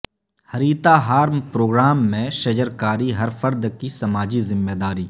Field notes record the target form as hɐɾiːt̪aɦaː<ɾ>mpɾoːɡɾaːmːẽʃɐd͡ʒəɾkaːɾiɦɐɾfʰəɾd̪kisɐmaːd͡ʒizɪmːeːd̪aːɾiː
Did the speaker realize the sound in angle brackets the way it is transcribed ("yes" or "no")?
yes